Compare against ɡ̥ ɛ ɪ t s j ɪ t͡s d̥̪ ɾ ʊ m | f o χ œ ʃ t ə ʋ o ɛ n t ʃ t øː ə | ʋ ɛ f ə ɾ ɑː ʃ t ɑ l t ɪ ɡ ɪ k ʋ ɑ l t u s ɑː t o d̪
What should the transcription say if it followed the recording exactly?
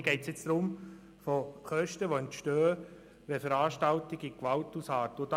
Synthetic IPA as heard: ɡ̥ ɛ ɪ t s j ɪ t͡s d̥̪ ɾ ʊ m | f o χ œ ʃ t ə ʋ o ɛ n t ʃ t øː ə | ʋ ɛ f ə ɾ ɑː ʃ t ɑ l t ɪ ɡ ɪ k ʋ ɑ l t u s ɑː t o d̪